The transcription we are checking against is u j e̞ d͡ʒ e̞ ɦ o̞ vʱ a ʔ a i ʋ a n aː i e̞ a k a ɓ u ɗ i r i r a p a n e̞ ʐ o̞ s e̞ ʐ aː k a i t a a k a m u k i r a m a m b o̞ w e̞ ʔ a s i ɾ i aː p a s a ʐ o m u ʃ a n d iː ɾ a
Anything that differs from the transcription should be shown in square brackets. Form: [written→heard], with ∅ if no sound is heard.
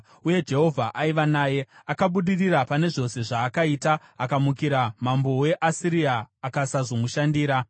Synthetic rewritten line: u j e̞ d͡ʒ e̞ ɦ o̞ vʱ a ʔ a i ʋ a n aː [i→j] e̞ a k a ɓ u ɗ i r i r a p a n e̞ ʐ o̞ s e̞ ʐ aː k a i t a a k a m u k i [r→ɾ] a m a m b o̞ w e̞ ʔ a s i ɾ i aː [p→k] a s a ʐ o m u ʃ a n d iː ɾ a